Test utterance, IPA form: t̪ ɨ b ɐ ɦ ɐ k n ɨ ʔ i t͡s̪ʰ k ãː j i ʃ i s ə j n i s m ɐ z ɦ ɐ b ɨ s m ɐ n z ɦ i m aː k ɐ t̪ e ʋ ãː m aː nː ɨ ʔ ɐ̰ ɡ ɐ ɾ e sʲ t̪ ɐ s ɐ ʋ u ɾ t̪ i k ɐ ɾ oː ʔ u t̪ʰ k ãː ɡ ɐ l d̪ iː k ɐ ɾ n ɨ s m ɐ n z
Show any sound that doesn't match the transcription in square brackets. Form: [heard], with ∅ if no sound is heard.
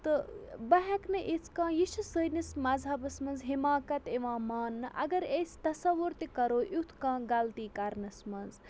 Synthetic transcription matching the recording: t̪ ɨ b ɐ ɦ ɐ k n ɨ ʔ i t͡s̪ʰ k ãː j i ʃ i s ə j n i s m ɐ z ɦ ɐ b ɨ s m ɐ n z ɦ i m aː k ɐ t̪ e ʋ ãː m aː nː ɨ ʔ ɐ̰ ɡ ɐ ɾ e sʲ t̪ ɐ s ɐ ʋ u ɾ t̪ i k ɐ ɾ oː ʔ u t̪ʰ k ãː ɡ ɐ l [t̪] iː k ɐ ɾ n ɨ s m ɐ n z